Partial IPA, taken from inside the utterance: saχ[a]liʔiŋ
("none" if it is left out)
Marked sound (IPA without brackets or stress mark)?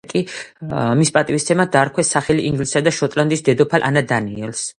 ɛ